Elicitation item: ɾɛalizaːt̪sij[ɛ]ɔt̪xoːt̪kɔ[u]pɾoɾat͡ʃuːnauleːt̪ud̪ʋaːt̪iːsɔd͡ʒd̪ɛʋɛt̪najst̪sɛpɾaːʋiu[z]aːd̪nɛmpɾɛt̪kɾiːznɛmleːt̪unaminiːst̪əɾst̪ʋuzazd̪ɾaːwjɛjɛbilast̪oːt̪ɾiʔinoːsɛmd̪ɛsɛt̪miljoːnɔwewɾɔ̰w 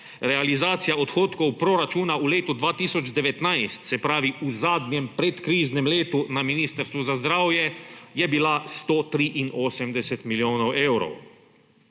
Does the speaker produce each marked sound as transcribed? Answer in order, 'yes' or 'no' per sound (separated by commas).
no, no, yes